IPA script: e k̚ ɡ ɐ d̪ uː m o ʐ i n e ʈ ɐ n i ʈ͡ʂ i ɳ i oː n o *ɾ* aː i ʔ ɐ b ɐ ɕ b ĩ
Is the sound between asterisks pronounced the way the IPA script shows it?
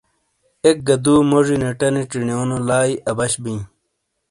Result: no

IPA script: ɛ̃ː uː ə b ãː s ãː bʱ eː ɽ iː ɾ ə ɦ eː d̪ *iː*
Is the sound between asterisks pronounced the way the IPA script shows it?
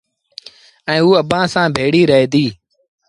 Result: yes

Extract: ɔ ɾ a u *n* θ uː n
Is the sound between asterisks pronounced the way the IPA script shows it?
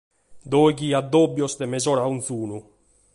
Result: yes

